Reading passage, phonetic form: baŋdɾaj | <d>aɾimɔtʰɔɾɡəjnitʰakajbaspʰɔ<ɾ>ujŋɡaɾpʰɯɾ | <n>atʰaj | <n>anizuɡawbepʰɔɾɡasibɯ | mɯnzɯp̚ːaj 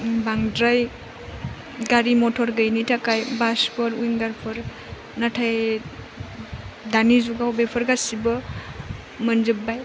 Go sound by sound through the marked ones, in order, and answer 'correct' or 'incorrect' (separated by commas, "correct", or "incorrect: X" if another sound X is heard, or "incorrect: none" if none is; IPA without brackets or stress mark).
incorrect: ɡ, correct, correct, incorrect: d